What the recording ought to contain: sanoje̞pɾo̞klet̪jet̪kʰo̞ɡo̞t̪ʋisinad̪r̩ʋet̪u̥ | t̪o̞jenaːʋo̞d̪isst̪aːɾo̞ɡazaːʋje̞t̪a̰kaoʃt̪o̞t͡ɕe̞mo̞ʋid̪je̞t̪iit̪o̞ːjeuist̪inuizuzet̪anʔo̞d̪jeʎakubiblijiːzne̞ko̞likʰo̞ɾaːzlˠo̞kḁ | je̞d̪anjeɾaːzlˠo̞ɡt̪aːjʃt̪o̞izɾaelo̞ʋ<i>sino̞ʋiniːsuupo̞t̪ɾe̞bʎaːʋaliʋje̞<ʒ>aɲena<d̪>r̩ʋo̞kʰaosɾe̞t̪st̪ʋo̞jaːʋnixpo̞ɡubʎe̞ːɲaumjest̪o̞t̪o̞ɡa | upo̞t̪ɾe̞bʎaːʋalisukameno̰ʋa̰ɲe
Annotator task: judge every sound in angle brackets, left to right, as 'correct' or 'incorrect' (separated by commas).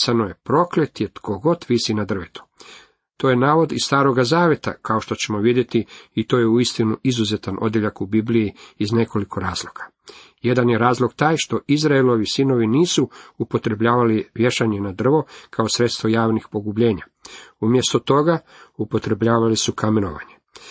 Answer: correct, incorrect, correct